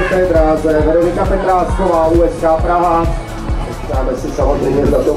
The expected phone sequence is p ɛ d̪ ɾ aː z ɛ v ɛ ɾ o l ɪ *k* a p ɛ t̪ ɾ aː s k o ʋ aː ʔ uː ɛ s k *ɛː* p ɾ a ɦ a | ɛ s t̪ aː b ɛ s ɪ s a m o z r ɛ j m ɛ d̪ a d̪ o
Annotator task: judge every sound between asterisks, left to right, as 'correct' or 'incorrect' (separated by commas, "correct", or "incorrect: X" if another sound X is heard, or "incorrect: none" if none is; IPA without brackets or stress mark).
correct, incorrect: aː